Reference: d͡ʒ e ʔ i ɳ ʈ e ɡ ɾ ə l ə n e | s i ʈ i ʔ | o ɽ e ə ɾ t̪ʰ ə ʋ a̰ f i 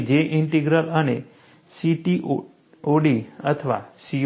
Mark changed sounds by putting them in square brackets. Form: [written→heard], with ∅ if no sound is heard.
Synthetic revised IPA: d͡ʒ e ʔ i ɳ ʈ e ɡ ɾ ə l ə n e | s i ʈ i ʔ | o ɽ [e→i] ə [ɾ→∅] t̪ʰ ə ʋ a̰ [f→s] i